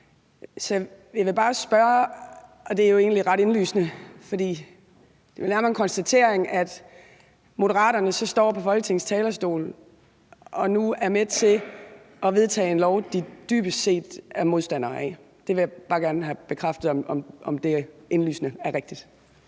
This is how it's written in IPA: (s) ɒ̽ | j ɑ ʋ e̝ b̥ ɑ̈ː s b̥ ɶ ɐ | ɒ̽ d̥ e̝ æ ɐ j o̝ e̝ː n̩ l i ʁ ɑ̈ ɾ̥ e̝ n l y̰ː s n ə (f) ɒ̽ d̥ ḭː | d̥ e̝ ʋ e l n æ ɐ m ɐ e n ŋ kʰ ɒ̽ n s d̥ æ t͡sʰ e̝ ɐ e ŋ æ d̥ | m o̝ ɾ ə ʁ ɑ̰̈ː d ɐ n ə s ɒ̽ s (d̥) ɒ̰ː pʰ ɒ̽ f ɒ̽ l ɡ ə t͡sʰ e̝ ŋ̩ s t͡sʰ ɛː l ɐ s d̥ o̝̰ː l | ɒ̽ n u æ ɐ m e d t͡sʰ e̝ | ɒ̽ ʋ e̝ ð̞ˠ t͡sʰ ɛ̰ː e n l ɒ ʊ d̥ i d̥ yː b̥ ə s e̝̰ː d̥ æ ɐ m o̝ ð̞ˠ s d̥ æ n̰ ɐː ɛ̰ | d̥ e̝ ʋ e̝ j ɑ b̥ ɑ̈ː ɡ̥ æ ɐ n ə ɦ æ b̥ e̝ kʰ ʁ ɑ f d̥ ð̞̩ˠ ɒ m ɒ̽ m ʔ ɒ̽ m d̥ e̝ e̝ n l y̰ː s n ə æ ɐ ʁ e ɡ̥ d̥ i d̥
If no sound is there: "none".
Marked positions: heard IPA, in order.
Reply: s, f, d̥

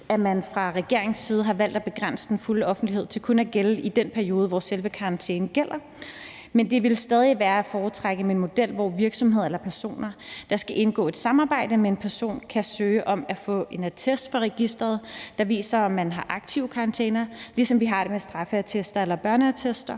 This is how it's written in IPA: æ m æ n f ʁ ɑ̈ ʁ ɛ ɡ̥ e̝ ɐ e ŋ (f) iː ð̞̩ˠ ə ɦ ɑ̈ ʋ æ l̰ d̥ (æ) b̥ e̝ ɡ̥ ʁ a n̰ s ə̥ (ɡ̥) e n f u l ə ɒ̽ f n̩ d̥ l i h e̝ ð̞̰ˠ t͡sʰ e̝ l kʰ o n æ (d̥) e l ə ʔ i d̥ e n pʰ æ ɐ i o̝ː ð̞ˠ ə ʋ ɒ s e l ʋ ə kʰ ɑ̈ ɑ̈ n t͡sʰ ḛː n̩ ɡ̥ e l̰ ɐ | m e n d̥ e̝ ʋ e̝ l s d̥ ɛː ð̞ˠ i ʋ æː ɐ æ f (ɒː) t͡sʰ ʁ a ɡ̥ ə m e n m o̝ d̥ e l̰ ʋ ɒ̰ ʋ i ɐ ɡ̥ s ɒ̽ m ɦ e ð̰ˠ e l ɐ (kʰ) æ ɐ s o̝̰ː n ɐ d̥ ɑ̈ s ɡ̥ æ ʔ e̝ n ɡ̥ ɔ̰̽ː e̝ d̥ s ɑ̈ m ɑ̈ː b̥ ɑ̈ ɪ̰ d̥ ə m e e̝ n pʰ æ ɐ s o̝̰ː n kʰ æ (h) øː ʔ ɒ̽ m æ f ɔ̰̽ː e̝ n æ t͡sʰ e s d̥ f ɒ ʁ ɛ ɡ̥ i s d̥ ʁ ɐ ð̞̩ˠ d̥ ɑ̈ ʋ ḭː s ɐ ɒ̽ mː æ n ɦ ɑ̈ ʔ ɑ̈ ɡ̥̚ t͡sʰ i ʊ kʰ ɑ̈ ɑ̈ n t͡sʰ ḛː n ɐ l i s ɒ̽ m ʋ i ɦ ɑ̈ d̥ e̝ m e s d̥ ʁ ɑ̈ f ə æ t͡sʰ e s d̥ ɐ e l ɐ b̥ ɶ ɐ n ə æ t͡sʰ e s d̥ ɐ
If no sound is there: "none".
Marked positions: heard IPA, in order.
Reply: s, æ, d̥, ɡ̥, ɒː, pʰ, s

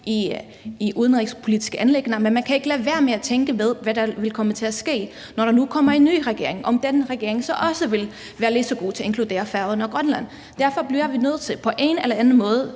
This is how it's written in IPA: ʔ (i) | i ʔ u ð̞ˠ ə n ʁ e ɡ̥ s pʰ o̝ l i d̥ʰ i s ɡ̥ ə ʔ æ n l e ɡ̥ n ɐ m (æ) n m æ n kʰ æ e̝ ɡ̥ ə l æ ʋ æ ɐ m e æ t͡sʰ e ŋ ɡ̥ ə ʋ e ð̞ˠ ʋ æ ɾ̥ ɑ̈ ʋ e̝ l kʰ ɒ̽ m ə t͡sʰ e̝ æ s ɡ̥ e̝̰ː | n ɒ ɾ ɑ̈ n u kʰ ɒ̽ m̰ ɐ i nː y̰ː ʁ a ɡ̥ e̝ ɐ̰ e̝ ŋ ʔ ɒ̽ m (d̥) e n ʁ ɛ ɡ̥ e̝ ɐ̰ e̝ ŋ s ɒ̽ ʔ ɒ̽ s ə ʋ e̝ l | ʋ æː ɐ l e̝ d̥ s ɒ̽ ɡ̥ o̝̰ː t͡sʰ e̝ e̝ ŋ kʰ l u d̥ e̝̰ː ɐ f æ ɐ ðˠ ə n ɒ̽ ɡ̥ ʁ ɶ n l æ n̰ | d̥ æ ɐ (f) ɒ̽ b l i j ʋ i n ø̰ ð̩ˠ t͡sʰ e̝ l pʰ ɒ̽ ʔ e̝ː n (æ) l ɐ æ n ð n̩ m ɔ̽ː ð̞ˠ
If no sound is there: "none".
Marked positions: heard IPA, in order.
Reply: i, e, d̥, f, e

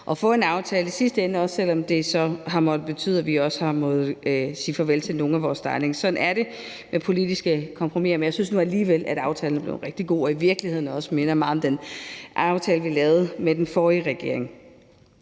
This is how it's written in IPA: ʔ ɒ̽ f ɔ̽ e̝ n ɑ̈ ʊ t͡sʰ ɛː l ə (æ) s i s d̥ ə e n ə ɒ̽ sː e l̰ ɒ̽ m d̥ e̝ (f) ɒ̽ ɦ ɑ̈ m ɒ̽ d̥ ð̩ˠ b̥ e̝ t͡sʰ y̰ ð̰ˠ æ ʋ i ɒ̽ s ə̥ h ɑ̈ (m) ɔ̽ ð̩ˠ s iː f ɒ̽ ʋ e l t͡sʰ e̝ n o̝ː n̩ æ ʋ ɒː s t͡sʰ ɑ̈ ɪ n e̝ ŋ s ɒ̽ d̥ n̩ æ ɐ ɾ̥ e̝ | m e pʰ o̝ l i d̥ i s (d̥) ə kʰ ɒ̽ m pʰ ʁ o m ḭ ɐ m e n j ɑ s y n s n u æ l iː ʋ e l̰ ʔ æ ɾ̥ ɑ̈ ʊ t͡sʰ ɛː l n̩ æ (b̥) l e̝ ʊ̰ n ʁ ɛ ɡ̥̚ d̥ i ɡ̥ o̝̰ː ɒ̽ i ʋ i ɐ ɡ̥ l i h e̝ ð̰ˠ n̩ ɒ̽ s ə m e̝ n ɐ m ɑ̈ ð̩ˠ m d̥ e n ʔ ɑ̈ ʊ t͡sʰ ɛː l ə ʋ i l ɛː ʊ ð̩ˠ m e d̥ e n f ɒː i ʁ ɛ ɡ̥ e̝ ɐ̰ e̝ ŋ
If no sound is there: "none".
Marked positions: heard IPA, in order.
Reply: i, s, m, ɡ̥, b̥

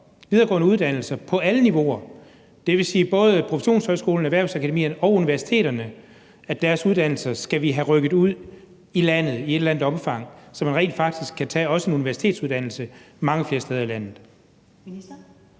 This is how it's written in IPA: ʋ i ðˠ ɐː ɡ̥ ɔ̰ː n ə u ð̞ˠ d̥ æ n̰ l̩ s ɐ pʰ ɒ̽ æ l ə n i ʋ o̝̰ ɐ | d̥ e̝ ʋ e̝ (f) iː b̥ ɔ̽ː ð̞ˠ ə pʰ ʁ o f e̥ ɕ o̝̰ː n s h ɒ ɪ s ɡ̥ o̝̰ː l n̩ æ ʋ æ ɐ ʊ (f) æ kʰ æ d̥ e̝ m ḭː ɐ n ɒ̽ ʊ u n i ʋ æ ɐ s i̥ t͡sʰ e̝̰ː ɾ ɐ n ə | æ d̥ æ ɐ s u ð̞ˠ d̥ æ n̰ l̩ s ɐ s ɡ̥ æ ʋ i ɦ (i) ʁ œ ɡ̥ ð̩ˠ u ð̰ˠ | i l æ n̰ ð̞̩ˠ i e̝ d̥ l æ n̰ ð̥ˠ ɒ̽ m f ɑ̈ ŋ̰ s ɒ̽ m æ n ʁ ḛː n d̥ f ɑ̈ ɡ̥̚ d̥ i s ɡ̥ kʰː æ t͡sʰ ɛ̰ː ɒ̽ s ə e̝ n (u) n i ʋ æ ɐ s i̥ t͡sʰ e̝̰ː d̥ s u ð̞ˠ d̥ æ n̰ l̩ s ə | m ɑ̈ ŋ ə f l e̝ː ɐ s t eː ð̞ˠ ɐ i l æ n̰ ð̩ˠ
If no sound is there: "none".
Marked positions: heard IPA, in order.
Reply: s, s, æ, u

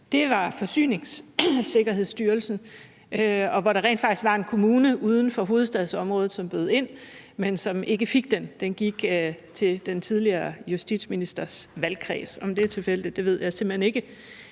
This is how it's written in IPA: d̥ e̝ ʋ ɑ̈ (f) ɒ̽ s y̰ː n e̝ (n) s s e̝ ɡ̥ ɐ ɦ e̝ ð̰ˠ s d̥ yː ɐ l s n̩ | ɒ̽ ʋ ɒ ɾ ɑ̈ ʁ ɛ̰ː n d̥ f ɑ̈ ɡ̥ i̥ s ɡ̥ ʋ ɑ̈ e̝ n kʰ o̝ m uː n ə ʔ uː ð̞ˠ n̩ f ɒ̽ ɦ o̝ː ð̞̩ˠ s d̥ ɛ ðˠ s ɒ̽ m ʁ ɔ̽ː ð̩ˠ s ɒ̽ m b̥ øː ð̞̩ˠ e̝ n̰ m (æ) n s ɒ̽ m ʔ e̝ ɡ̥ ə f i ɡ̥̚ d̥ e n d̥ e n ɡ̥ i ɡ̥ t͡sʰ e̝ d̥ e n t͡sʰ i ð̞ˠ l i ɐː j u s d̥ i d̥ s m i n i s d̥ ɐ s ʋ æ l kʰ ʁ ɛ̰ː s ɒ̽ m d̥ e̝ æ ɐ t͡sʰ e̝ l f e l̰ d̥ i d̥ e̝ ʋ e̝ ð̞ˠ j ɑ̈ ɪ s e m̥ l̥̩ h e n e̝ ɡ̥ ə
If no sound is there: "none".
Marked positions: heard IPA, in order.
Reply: f, ŋ, e

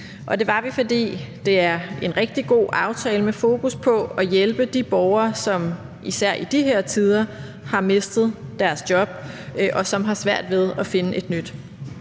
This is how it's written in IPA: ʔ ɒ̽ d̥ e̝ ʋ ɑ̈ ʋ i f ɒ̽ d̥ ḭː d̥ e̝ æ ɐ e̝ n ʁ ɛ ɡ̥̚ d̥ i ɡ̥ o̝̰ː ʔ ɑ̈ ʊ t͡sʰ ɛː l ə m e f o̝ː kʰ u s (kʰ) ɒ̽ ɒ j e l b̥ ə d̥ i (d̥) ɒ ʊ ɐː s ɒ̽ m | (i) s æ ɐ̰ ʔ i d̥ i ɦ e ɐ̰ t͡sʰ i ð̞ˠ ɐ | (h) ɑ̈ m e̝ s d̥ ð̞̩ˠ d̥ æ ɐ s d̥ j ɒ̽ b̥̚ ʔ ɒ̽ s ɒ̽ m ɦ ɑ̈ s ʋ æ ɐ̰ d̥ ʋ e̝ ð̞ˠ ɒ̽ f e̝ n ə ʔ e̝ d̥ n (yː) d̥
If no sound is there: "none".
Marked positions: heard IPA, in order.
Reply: pʰ, b̥, i, h, y

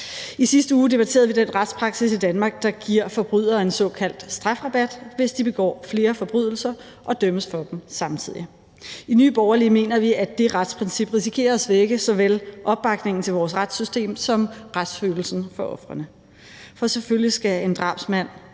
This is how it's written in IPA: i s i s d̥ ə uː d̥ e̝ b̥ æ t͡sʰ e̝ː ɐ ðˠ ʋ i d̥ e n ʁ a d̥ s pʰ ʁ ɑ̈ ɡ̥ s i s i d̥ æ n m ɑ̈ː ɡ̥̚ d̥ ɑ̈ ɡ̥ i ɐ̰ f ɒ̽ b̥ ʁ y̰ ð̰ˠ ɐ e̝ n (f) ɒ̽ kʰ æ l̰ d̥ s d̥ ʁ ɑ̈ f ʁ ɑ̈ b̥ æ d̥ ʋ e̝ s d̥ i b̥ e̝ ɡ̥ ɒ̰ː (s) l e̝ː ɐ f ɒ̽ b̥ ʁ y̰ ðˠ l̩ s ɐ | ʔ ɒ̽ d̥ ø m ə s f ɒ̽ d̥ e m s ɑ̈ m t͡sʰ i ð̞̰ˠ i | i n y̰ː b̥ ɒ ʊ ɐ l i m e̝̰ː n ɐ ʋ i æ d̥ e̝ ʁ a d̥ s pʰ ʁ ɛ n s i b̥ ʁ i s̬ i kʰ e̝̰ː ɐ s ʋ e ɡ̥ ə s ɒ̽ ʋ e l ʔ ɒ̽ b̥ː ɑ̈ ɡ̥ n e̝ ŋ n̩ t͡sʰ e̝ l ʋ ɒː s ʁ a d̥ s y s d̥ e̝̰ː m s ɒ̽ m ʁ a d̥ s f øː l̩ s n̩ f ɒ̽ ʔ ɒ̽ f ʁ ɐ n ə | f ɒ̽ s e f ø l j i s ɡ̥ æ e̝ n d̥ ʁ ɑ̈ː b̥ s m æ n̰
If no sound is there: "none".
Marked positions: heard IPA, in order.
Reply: s, f

